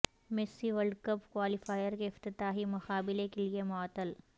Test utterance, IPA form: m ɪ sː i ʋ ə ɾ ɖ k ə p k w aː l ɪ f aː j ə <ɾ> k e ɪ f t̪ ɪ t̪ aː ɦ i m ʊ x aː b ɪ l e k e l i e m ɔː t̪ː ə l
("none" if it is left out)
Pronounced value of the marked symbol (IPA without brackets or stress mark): ɾ